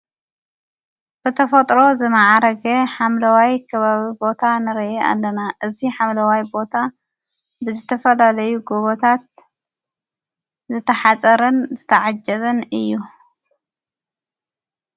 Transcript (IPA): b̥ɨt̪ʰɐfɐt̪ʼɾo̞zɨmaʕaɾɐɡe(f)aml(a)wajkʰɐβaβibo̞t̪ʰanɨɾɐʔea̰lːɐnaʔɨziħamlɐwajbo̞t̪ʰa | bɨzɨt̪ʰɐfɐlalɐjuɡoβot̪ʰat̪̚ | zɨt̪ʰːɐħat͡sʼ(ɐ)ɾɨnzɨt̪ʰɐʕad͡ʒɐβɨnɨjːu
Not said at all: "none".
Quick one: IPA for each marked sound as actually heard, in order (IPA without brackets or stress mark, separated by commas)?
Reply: ħ, ɐ, ɐ